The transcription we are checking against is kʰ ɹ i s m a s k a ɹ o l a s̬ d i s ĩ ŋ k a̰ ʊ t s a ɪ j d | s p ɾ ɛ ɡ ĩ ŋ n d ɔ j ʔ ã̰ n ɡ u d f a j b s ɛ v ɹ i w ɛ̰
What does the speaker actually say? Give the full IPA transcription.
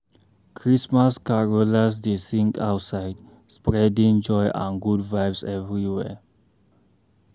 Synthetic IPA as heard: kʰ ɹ i s m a s k a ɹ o l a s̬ d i s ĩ ŋ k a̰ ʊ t s a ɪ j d | s p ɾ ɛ d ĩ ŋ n d͡ʒ ɔ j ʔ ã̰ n ɡ u d v a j b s ɛ v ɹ i w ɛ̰